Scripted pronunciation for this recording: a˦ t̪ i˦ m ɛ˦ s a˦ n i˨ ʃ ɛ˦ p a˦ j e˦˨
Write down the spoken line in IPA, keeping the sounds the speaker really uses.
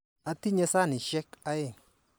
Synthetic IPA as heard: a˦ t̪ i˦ ɲ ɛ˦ s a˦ n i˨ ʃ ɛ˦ k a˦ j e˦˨